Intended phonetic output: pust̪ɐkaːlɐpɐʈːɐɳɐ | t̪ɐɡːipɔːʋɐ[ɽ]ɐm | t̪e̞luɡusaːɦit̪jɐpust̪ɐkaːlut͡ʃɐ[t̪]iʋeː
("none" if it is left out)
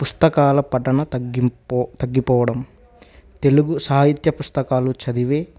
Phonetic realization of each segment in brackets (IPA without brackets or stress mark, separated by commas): ɽ, d̪